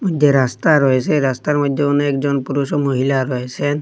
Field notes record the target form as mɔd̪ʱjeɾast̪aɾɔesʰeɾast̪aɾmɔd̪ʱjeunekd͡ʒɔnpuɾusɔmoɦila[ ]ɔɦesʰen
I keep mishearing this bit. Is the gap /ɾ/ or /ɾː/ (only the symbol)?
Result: ɾ